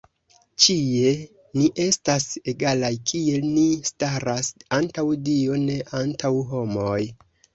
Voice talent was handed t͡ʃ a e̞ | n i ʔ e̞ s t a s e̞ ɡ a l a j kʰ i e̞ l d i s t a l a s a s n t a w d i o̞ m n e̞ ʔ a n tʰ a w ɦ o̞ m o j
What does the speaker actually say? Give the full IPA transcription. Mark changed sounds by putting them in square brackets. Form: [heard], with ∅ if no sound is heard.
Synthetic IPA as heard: t͡ʃ [i] e̞ | n i ʔ e̞ s t a s e̞ ɡ a l a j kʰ i e̞ l [n] i s t a [ɾ] a s a [∅] n t a w d i o̞ [∅] n e̞ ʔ a n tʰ a w ɦ o̞ m o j